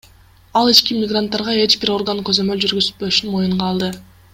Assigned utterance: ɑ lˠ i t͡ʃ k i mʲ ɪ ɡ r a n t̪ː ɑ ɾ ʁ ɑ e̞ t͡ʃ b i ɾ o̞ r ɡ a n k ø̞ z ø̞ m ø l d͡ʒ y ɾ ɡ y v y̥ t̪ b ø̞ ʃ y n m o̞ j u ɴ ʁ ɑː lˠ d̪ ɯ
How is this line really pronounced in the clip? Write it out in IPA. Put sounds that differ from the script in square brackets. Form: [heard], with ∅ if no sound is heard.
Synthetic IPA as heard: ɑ lˠ i t͡ʃ k i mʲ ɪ ɡ r a n t̪ː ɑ ɾ ʁ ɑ e̞ t͡ʃ b i ɾ o̞ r ɡ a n k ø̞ z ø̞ m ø l d͡ʒ y ɾ ɡ y [z] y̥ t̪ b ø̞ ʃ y n m o̞ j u ɴ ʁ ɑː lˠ d̪ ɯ